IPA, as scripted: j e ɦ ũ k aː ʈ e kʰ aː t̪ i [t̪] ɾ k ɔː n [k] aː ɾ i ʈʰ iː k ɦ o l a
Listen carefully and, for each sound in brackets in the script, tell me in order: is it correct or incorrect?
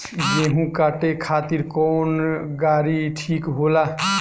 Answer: incorrect, incorrect

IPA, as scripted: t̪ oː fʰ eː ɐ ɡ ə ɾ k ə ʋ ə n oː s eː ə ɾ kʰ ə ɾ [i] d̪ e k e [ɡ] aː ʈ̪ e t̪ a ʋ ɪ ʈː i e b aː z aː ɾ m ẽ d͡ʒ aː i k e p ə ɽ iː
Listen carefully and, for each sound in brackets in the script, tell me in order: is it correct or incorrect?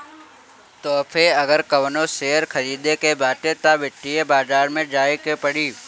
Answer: incorrect, incorrect

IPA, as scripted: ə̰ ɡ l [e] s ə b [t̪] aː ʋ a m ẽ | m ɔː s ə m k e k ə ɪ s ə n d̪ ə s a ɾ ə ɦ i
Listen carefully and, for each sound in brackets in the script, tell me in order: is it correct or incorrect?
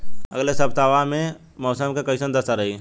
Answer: correct, correct

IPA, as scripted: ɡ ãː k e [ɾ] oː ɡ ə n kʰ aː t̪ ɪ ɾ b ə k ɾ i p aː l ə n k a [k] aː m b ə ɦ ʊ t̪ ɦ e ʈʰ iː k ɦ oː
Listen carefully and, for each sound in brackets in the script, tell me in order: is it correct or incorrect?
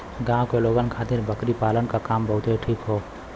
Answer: incorrect, correct

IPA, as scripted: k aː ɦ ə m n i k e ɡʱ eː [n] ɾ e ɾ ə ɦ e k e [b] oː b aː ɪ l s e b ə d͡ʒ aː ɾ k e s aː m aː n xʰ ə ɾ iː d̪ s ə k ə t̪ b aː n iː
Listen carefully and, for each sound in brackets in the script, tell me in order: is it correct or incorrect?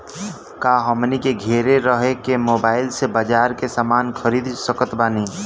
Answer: incorrect, incorrect

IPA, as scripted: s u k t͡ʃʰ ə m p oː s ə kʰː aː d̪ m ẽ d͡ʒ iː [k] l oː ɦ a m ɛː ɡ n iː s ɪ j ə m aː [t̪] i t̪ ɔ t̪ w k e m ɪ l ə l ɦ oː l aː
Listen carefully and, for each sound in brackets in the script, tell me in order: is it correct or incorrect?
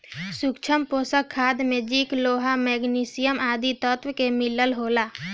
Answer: correct, incorrect

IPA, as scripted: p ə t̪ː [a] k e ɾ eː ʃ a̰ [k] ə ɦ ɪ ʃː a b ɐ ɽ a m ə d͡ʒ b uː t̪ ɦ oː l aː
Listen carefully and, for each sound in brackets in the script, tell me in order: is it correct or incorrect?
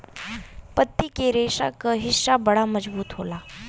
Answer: incorrect, correct

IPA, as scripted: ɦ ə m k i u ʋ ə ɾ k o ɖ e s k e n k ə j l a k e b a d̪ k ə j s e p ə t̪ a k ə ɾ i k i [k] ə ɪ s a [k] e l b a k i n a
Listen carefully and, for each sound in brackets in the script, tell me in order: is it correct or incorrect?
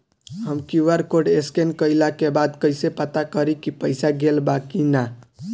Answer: incorrect, incorrect

